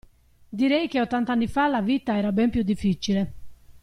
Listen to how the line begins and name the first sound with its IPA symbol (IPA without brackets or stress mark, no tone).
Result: d̪